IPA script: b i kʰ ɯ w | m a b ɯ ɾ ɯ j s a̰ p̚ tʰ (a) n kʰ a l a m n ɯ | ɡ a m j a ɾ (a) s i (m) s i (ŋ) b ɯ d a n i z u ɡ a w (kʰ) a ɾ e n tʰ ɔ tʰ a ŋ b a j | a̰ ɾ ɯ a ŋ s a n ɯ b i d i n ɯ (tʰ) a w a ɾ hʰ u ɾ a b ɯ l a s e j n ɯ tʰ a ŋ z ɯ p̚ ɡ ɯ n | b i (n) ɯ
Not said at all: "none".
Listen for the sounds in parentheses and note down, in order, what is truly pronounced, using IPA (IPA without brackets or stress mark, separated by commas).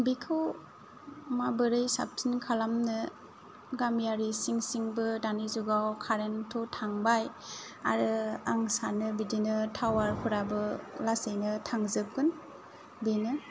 i, i, ŋ, ŋ, kʰ, tʰ, n